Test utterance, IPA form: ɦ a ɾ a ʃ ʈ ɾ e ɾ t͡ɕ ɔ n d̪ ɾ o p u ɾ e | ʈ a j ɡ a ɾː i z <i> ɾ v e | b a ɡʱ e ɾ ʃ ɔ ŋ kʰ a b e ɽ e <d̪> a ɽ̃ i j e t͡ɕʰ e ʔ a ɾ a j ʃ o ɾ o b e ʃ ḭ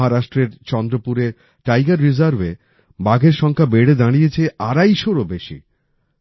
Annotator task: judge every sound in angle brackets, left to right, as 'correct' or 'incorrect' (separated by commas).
incorrect, correct